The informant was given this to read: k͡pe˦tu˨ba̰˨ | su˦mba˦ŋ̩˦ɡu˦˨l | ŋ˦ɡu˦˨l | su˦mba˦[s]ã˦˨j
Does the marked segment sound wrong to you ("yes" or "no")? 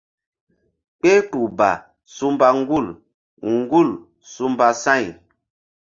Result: no